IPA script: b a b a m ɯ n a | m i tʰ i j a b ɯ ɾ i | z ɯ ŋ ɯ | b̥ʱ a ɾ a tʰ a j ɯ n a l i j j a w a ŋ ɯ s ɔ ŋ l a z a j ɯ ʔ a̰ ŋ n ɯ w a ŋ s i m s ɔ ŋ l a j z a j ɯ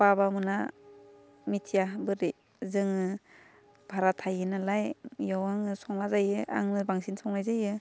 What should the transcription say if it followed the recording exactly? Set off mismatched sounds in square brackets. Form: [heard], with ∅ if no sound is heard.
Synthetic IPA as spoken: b a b a m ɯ n a | m i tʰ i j a b ɯ ɾ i | z ɯ ŋ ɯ | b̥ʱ a ɾ a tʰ a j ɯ n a l [a] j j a w a ŋ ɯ s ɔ ŋ l a z a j ɯ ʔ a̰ ŋ n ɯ [b] a ŋ s i [n] s ɔ ŋ l a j z a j ɯ

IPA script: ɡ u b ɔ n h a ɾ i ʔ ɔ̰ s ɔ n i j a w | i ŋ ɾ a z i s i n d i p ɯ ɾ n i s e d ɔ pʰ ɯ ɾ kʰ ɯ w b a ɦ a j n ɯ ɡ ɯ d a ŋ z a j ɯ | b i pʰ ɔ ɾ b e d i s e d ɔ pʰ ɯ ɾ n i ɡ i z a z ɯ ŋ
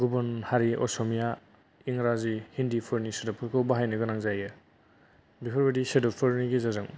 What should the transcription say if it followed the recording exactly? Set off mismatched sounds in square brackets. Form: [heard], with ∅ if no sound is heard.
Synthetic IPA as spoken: ɡ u b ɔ n h a ɾ i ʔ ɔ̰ s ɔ [m] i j a [∅] | i ŋ ɾ a z i [h] i n d i [pʰ] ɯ ɾ n i s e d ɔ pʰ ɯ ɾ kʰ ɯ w b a ɦ a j n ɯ ɡ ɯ [n] a ŋ z a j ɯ | b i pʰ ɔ ɾ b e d i s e d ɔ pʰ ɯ ɾ n i ɡ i z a z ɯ ŋ

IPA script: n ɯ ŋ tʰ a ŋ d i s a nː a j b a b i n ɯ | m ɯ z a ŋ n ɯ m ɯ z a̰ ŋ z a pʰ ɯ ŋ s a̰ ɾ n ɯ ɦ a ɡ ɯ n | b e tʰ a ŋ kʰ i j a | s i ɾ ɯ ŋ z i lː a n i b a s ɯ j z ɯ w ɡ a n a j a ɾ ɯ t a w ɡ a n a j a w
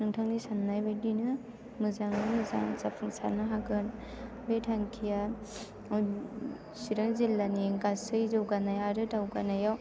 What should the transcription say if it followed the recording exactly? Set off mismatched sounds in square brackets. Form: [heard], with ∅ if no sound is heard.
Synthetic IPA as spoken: n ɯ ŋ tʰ a ŋ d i s a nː a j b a [d] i n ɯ | m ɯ z a ŋ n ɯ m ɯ z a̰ ŋ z a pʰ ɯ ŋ s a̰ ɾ n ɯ ɦ a ɡ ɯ n | b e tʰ a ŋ kʰ i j a | s i ɾ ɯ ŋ z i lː a n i [ɡ] a s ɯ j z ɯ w ɡ a n a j a ɾ ɯ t a w ɡ a n a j a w

